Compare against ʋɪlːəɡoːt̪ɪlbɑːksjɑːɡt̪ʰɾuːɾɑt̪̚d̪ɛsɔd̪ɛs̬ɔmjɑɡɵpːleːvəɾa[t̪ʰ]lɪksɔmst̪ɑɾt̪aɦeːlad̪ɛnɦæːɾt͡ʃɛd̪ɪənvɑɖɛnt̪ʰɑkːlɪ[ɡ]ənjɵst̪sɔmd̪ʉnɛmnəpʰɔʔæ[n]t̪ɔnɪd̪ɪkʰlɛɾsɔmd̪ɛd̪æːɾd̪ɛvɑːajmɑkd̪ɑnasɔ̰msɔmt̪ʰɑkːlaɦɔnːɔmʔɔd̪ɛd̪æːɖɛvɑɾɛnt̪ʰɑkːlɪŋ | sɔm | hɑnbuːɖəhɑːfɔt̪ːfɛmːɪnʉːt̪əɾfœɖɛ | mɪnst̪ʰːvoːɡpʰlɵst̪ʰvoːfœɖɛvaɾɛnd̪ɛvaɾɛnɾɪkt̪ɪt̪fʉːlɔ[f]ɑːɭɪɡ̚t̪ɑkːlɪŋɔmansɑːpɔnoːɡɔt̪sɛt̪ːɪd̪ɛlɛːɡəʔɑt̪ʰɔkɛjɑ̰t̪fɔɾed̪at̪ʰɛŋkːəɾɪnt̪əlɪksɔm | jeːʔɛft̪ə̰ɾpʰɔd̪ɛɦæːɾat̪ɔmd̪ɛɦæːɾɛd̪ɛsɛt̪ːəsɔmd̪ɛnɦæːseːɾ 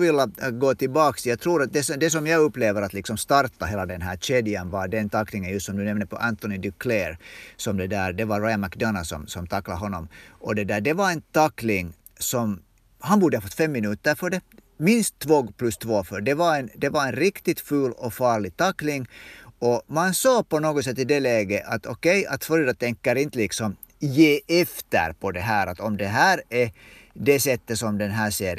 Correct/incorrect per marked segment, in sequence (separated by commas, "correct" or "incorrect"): incorrect, incorrect, correct, correct